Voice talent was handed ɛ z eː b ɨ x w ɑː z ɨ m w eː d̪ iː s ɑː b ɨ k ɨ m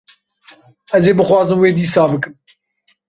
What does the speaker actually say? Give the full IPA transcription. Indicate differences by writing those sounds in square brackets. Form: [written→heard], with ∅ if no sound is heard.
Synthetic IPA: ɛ z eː b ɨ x w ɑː z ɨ m w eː d̪ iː s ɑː b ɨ k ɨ m